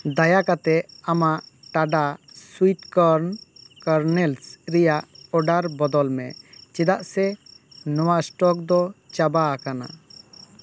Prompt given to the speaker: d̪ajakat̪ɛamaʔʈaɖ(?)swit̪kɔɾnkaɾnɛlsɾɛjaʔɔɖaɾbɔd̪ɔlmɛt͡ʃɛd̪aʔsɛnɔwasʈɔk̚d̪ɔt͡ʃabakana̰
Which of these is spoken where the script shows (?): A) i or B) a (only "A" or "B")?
B